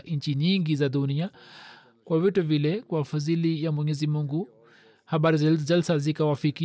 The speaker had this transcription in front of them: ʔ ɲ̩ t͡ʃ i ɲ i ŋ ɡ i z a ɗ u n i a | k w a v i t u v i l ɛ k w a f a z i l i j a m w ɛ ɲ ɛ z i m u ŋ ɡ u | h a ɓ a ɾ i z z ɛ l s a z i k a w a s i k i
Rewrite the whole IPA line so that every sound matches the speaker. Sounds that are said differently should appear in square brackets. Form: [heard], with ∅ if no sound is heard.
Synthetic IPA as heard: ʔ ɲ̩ t͡ʃ i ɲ i ŋ ɡ i z a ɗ u n i a | k w a v i t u v i l ɛ k w a f a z i l i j a m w ɛ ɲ ɛ z i m u ŋ ɡ u | h a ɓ a ɾ i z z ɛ l s a z i k a w a [f] i k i